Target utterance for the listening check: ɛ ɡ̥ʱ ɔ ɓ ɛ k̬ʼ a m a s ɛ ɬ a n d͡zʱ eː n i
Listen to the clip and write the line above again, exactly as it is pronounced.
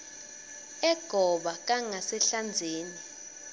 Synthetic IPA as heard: ɛ ɡ̥ʱ ɔ ɓ a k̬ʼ a ŋ a s ɛ ɬ a n d͡zʱ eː n i

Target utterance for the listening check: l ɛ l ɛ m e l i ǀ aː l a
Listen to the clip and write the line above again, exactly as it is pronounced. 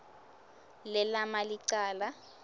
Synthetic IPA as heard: l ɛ l a m a l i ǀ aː l a

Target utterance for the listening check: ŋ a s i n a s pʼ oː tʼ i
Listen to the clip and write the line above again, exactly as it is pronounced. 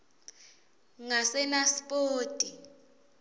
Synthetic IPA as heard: ŋ a s ɛ n a s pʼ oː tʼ i

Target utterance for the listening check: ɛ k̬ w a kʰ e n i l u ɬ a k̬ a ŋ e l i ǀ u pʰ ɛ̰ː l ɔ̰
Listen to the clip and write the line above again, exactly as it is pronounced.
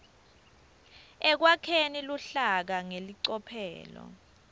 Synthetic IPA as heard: ɛ k̬ w a kʰ e n i l u ɬ a k̬ a ŋ e l i ǀ ɔ pʰ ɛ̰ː l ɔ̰

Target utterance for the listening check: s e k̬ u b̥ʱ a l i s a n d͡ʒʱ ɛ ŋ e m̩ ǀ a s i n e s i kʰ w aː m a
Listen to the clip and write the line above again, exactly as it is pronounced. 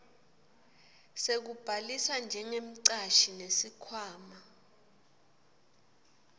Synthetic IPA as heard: s e k̬ u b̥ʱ a l i s a n d͡ʒʱ ɛ ŋ e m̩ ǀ a ʃ i n e s i kʰ w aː m a

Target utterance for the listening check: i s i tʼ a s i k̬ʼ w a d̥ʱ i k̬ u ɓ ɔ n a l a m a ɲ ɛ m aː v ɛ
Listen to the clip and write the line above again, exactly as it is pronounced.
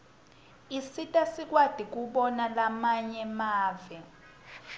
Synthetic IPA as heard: i s i tʼ a s i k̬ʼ w a d̥ʱ i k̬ u ɓ ɔ n a l a m a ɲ ɛ m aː v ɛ

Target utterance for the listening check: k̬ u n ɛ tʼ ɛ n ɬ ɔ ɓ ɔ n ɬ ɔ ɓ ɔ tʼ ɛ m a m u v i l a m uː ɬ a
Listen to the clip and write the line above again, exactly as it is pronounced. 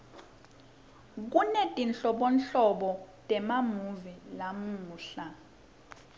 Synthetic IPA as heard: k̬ u n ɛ tʼ i n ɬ ɔ ɓ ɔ n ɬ ɔ ɓ ɔ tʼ ɛ m a m u v i l a m uː ɬ a

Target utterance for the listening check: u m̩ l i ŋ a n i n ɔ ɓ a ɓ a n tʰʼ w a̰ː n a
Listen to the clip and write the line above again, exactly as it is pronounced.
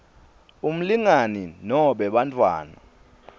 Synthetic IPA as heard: u m̩ l i ŋ a n i n ɔ ɓ ɛ ɓ a n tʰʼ w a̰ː n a

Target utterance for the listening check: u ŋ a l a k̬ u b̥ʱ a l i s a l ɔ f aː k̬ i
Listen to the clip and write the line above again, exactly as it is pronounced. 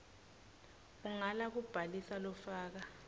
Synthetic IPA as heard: u ŋ a l a k̬ u b̥ʱ a l i s a l ɔ f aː k̬ a

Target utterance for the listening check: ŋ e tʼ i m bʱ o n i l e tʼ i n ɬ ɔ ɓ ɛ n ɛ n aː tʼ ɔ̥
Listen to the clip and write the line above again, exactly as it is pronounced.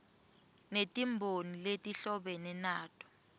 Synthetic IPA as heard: n e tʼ i m bʱ o n i l e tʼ i ɬ ɔ ɓ ɛ n ɛ n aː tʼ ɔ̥

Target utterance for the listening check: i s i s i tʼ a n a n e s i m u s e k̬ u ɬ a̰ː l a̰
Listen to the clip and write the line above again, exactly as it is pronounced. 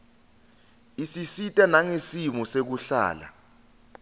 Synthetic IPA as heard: i s i s i tʼ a n a ŋ e s i m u s e k̬ u ɬ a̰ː l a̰

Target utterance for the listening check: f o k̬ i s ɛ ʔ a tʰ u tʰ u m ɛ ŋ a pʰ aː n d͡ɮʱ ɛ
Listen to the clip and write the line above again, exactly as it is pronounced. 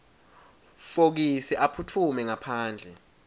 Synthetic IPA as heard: f o k̬ i s ɛ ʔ a pʰ u tʰ u m ɛ ŋ a pʰ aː n d͡ɮʱ ɛ

